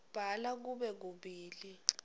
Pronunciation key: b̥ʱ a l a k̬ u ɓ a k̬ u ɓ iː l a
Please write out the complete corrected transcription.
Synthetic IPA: b̥ʱ a l a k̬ u ɓ ɛ k̬ u ɓ iː l i